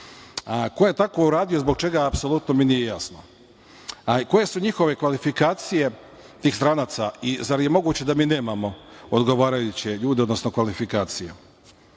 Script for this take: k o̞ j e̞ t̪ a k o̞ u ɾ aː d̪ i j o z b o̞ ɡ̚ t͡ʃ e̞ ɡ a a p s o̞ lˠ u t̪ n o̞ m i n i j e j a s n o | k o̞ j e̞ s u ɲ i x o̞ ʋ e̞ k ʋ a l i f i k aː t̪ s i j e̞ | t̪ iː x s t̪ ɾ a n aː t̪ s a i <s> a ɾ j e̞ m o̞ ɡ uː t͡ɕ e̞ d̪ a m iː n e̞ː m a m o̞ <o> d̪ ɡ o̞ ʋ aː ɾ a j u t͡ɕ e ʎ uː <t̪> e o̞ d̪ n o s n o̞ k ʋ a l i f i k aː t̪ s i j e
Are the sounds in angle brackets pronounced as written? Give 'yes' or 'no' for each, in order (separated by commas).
no, yes, no